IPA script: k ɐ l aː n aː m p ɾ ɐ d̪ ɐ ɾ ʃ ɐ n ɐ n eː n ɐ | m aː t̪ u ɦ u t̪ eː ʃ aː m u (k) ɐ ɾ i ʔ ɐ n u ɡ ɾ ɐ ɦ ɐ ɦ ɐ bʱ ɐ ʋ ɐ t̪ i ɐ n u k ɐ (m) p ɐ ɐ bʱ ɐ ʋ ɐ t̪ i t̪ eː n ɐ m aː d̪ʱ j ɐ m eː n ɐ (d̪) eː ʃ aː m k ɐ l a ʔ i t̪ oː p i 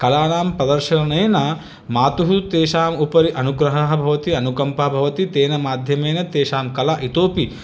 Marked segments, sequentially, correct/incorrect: incorrect: p, correct, incorrect: t̪

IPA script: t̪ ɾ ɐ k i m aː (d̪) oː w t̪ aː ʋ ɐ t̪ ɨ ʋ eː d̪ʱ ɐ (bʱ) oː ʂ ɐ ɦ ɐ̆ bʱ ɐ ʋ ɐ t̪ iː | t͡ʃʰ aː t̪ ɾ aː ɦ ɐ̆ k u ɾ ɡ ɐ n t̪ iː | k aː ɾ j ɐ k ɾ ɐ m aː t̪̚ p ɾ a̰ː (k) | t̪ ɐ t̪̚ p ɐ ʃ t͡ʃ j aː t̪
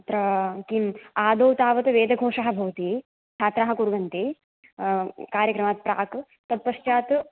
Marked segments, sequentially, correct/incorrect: correct, incorrect: ɡʱ, correct

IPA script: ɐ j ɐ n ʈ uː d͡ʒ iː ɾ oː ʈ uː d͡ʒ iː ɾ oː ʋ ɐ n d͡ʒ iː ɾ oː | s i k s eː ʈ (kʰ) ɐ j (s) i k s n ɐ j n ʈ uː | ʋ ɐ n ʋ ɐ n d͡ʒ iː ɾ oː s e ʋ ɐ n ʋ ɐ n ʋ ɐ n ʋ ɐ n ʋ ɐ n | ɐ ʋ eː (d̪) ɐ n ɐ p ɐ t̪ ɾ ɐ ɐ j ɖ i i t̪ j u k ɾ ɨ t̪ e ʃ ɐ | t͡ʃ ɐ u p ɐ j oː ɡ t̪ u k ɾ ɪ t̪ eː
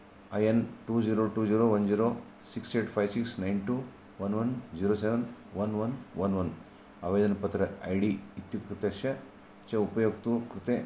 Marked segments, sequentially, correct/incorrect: incorrect: pʰ, correct, correct

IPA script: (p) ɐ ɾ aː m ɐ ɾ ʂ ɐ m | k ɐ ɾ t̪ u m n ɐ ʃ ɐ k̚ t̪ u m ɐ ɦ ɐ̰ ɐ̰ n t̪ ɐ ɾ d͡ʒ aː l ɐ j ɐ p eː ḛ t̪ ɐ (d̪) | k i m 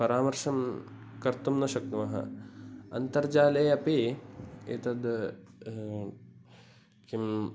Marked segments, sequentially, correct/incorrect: correct, correct

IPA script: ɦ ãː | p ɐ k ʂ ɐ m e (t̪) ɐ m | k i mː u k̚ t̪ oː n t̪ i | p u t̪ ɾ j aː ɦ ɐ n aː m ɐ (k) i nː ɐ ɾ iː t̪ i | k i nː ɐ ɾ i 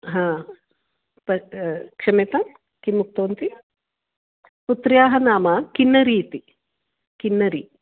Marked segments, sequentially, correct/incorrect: correct, correct

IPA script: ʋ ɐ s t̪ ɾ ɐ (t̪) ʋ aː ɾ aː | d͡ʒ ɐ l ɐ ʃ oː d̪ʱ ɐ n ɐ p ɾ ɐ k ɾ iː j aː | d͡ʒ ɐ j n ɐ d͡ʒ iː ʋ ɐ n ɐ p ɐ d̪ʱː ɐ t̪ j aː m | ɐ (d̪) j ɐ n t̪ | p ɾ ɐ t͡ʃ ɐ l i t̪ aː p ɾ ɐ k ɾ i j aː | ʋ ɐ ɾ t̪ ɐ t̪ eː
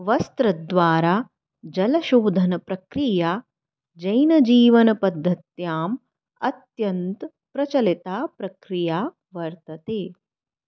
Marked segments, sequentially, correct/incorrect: incorrect: d̪, incorrect: t̪

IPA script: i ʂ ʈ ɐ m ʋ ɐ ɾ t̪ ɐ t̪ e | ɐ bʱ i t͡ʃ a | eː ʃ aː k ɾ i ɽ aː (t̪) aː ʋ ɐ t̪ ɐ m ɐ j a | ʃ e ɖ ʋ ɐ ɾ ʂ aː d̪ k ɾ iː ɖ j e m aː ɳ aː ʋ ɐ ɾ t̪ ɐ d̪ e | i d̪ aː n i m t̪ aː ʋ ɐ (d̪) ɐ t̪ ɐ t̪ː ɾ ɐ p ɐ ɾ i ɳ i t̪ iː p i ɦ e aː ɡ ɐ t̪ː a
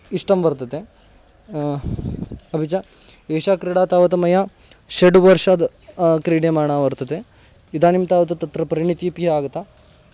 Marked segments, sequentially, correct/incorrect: correct, incorrect: t̪

